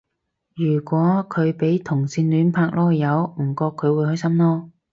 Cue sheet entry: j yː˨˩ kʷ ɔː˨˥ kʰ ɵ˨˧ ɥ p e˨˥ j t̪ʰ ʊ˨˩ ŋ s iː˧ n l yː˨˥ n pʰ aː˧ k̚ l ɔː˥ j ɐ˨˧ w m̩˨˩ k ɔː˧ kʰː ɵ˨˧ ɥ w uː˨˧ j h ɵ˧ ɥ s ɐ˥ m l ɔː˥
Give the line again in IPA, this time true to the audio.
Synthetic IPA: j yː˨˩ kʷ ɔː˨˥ kʰ ɵ˨˧ ɥ p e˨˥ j t̪ʰ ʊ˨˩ ŋ s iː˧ n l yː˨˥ n pʰ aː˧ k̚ l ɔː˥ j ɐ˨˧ w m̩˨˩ k ɔː˧ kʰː ɵ˨˧ ɥ w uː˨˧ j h ɵ˥ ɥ s ɐ˥ m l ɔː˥